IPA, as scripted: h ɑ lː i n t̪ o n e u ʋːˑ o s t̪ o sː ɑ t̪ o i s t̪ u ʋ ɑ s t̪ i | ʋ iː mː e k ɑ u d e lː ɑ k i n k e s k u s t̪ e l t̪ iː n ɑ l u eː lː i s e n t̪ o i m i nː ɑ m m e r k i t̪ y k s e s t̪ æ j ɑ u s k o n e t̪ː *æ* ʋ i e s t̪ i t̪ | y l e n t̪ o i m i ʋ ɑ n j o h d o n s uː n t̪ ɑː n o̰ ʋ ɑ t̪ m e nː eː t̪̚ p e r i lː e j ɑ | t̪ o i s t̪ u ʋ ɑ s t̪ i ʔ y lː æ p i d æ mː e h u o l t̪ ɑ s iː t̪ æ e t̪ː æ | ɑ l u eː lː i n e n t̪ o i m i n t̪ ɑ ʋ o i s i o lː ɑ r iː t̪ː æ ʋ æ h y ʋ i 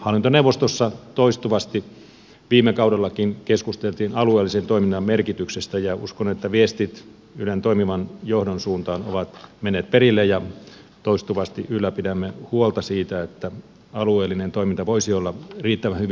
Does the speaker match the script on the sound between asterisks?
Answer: yes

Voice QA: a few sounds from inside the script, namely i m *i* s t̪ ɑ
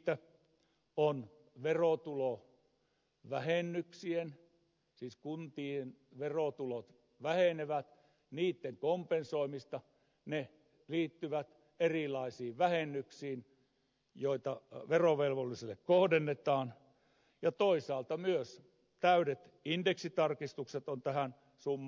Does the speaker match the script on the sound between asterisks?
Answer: yes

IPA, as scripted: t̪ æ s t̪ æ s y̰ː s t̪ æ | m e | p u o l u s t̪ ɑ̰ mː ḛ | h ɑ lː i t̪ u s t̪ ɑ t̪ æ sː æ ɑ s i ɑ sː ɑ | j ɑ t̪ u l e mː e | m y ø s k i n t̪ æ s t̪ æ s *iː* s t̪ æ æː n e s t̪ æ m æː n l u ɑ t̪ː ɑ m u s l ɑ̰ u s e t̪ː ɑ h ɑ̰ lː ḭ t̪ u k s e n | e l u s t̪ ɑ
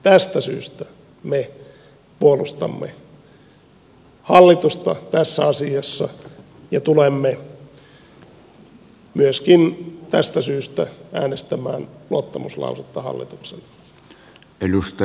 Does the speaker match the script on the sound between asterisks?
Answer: no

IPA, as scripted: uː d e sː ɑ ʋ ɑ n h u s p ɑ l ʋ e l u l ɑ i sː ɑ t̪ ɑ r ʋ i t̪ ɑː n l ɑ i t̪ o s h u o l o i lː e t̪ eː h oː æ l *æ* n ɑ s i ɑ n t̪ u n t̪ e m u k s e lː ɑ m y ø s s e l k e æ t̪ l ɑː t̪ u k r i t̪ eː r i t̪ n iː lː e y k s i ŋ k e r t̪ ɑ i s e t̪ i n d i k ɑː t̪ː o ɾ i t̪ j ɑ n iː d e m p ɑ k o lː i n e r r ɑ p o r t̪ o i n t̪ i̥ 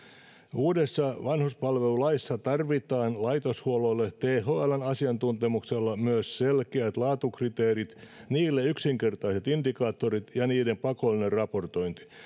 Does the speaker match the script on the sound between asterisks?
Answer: yes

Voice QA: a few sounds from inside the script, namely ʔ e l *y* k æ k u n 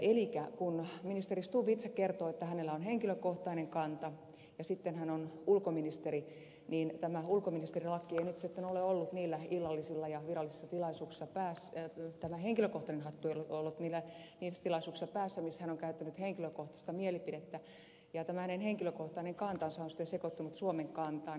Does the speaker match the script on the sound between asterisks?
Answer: no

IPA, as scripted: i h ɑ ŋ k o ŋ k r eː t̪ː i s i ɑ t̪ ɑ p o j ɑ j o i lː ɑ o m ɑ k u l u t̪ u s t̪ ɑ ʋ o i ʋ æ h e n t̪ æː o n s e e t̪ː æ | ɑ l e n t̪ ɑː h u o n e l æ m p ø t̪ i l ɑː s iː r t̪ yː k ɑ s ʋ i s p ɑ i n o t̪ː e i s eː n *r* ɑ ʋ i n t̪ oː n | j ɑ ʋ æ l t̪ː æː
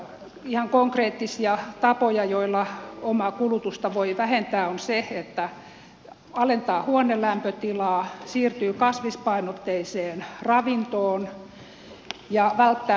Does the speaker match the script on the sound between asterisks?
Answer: yes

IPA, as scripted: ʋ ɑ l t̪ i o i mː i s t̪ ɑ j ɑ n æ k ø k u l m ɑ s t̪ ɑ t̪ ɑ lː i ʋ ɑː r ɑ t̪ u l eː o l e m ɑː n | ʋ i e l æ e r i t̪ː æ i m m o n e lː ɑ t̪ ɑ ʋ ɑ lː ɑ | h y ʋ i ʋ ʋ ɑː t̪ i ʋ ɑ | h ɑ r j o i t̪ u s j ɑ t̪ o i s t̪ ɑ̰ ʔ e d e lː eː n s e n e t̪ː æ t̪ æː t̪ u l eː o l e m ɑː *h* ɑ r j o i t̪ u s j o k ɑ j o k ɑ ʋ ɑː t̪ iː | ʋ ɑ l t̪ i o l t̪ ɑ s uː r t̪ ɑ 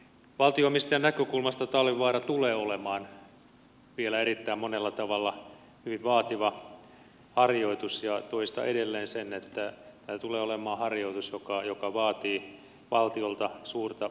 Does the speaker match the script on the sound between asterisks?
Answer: yes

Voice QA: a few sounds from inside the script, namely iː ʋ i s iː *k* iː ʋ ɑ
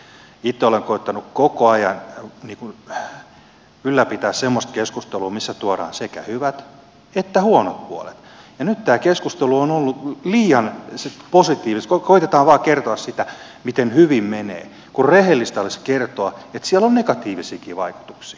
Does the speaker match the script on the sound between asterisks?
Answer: yes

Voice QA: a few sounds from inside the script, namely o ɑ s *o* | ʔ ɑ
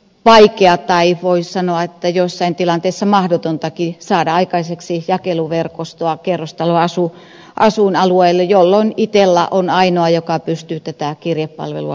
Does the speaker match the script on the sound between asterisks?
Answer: no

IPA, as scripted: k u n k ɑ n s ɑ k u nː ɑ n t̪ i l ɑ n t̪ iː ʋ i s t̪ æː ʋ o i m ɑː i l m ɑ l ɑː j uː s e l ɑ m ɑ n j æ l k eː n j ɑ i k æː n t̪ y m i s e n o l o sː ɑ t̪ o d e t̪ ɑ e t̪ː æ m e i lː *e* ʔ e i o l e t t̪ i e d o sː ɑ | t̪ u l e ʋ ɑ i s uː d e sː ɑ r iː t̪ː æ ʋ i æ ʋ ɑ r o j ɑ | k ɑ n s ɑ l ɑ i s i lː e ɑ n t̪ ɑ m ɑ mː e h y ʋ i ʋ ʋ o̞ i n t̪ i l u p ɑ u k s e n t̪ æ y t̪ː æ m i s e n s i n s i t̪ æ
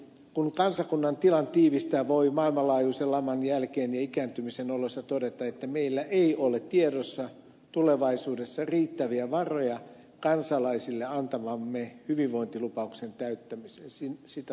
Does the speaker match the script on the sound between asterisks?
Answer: no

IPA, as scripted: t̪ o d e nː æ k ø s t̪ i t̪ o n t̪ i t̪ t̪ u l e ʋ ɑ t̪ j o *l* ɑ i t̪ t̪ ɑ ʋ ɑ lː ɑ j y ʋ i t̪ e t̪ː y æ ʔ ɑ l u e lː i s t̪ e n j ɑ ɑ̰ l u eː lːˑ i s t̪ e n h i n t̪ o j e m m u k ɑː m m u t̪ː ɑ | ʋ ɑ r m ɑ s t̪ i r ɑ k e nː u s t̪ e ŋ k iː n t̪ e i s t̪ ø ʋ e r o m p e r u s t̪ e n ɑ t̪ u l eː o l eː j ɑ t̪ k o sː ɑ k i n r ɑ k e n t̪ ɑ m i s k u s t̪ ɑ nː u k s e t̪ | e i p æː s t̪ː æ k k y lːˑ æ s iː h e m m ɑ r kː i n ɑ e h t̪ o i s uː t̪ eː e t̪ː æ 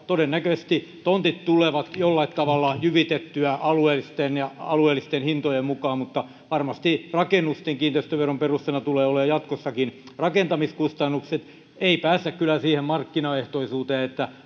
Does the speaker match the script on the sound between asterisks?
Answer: no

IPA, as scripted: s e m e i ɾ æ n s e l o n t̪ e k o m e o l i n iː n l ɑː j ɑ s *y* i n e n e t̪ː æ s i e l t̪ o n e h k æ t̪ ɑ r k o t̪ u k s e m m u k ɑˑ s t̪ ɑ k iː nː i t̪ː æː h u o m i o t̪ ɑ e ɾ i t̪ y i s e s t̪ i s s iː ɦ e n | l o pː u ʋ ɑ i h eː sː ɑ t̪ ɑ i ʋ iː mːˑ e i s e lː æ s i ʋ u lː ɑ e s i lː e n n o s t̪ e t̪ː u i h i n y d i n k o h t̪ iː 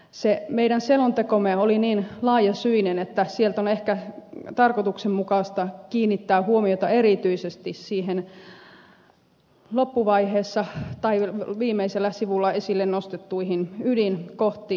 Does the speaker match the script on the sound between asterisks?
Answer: yes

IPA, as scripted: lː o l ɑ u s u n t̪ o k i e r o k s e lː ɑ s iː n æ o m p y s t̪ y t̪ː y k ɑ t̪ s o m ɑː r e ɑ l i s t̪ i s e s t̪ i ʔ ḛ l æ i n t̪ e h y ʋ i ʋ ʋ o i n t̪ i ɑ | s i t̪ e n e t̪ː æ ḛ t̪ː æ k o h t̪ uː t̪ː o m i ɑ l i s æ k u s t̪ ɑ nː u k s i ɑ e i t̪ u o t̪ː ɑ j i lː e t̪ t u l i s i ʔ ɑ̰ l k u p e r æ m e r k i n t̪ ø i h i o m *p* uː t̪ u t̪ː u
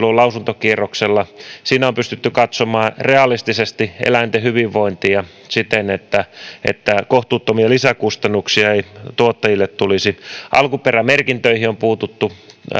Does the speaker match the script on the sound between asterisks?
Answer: yes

